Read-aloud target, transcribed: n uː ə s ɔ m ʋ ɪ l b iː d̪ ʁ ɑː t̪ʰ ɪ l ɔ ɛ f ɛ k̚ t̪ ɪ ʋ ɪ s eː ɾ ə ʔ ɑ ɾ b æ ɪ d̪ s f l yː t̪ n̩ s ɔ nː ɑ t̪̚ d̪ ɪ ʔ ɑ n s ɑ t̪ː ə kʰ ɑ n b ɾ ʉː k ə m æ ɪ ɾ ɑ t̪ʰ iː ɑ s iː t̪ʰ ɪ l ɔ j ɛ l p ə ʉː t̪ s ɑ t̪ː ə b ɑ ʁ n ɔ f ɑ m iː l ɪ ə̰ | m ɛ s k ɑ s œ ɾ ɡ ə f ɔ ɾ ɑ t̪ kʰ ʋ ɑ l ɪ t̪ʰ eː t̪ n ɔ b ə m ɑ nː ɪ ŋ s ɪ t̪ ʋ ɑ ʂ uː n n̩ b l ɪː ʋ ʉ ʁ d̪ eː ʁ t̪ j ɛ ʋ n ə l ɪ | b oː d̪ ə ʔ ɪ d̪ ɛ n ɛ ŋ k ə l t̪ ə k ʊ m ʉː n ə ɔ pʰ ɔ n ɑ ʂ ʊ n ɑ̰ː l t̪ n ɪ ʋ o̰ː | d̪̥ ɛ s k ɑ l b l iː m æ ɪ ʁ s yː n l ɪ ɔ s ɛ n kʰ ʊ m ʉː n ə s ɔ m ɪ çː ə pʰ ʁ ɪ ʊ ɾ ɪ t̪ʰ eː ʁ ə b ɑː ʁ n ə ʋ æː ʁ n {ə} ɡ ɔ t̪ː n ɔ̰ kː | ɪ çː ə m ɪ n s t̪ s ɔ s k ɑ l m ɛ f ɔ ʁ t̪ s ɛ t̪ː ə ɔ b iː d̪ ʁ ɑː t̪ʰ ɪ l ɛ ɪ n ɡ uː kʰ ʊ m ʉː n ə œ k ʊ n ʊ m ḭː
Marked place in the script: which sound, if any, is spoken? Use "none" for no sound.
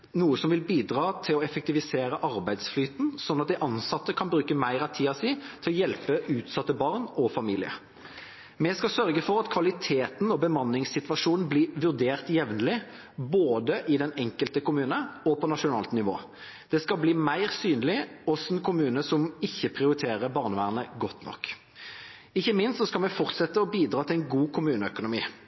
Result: ə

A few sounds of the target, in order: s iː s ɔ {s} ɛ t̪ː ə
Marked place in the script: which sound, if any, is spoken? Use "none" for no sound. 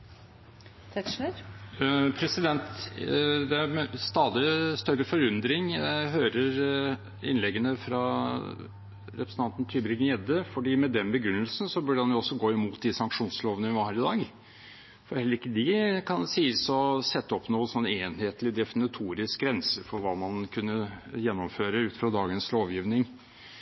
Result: s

